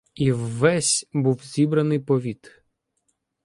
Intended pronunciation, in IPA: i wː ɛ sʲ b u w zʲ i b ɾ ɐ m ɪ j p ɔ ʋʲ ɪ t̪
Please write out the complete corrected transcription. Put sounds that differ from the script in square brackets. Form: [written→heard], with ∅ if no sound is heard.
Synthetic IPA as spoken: i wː ɛ sʲ b u w zʲ i b ɾ ɐ [m→n] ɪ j p ɔ ʋʲ [ɪ→i] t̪